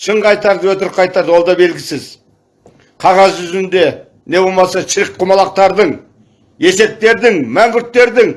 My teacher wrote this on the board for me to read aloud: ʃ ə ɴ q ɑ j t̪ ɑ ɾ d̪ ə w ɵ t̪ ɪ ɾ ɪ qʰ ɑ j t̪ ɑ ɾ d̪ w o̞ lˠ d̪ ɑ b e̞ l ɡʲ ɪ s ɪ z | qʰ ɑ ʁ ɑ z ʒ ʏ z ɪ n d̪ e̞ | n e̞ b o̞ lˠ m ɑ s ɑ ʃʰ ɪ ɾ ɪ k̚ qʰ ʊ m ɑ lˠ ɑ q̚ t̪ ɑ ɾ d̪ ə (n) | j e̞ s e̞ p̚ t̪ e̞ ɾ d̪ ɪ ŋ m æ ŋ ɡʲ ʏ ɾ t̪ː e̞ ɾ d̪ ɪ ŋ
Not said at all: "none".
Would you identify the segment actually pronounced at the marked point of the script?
ɴ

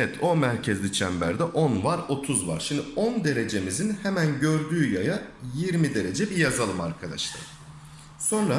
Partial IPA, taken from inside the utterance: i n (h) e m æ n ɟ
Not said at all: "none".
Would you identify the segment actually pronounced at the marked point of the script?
h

